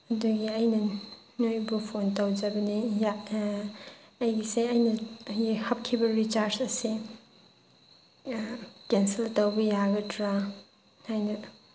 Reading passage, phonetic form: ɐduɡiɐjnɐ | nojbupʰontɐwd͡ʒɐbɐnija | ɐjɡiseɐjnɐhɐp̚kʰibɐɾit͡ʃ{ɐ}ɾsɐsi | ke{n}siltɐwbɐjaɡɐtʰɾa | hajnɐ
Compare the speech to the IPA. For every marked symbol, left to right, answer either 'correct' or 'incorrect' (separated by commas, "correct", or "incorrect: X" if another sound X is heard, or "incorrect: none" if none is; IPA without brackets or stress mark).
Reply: incorrect: a, correct